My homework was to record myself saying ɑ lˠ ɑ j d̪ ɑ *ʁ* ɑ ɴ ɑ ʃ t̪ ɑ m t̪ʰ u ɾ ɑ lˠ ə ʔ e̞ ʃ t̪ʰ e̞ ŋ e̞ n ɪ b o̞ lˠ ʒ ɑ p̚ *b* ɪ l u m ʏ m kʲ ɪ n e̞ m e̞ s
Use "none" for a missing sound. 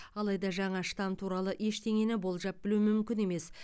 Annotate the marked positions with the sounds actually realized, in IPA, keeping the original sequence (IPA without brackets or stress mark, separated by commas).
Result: ʒ, b